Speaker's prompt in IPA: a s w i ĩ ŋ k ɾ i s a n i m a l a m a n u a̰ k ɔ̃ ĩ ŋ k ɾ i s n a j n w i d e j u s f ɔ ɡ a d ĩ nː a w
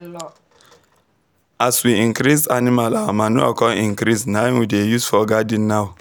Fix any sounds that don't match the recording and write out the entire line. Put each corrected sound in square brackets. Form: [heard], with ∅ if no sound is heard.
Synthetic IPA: a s w i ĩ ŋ k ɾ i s a n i m a l a m a n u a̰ k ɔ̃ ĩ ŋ k ɾ i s n a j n w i d e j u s f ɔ ɡ a d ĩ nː a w